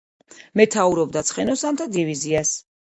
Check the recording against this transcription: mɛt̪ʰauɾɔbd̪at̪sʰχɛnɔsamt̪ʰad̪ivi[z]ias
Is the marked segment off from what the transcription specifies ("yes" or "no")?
no